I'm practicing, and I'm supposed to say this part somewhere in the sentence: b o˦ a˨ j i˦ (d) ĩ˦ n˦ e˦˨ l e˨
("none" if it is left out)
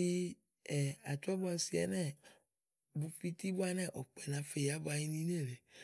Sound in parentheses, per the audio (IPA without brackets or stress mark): n